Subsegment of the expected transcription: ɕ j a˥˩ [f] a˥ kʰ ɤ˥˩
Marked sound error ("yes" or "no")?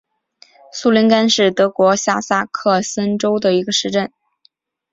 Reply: yes